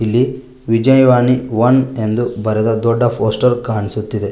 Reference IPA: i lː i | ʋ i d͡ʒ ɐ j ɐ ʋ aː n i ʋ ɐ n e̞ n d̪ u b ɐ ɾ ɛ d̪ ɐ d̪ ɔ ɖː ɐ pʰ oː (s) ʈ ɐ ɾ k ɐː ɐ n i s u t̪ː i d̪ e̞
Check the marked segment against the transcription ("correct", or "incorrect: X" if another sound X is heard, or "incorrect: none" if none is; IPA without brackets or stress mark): correct